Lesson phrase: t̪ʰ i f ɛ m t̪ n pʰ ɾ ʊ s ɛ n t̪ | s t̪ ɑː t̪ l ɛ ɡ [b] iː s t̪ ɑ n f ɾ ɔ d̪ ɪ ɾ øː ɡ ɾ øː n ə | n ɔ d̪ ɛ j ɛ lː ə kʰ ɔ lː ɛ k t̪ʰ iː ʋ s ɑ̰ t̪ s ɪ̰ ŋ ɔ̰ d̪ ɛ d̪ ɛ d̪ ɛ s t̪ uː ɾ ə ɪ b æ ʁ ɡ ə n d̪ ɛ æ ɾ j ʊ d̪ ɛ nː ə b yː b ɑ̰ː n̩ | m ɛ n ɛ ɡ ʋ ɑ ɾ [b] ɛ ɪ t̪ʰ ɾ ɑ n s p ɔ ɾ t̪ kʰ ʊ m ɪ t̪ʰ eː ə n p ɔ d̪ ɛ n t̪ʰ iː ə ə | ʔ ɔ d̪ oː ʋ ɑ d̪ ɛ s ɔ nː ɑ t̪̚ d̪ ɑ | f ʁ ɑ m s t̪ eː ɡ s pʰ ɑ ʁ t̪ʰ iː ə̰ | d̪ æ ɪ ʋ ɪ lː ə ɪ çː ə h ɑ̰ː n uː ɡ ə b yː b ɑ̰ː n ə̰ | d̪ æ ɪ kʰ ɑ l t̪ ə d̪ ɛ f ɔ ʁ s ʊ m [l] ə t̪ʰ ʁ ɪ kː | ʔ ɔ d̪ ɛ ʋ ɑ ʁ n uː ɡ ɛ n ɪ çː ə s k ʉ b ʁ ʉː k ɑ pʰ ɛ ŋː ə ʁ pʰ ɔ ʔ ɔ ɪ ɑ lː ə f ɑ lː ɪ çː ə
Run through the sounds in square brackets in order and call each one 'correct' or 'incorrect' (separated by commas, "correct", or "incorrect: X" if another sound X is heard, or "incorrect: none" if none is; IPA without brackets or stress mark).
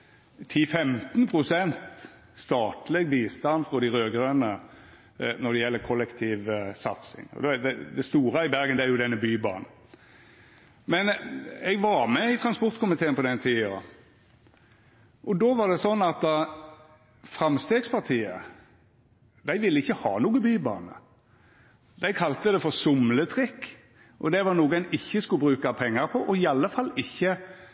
correct, incorrect: m, correct